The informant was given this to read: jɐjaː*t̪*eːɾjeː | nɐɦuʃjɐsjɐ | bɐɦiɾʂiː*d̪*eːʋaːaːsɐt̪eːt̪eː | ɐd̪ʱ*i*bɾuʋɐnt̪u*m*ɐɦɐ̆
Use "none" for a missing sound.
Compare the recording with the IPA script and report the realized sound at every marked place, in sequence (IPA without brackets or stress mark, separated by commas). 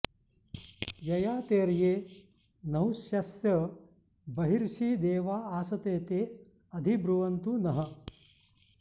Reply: t̪, d̪, i, n